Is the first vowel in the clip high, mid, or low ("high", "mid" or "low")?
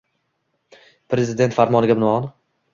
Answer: mid